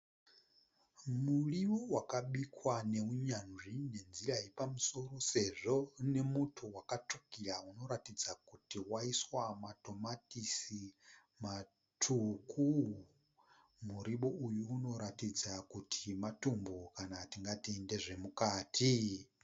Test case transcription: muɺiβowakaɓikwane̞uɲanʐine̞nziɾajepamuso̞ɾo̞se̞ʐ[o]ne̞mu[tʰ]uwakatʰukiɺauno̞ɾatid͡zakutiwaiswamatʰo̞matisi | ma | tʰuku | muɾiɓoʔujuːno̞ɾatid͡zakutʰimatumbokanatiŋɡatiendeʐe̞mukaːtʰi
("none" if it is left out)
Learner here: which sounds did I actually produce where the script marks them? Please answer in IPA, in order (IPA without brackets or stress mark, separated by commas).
o, tʰ